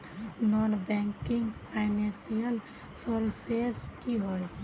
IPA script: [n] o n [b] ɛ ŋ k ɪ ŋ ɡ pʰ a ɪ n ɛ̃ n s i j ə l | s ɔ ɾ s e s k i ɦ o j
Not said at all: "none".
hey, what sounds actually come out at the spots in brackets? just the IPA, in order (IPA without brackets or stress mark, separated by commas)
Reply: n, b